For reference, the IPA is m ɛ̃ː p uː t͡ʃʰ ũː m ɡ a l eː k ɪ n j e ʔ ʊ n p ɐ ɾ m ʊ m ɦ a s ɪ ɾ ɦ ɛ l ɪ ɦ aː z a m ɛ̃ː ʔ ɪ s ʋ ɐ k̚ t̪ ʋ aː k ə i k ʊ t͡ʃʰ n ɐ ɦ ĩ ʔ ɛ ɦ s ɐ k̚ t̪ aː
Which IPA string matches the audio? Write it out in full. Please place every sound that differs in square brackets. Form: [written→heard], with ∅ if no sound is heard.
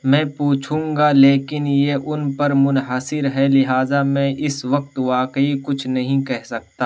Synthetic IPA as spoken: m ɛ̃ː p uː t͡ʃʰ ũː [m→ŋ] ɡ a l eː k ɪ n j e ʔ ʊ n p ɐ ɾ m ʊ [m→n] ɦ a s ɪ ɾ ɦ ɛ l ɪ ɦ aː z a m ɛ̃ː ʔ ɪ s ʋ ɐ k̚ t̪ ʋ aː k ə i k ʊ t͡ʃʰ n ɐ ɦ ĩ [ʔ→k] ɛ ɦ s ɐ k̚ t̪ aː